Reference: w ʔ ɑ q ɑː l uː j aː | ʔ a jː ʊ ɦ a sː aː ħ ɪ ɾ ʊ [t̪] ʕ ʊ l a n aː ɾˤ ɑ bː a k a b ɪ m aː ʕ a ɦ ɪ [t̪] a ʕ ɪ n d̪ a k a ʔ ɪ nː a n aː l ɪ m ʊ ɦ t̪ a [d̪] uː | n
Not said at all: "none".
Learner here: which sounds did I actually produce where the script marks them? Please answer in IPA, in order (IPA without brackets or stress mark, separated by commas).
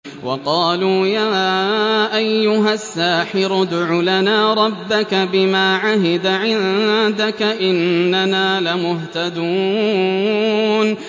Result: d̪, d̪, d̪